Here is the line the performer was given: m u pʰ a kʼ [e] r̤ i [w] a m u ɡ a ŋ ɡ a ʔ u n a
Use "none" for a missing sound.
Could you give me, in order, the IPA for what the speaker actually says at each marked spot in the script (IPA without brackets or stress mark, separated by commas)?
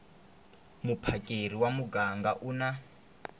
e, w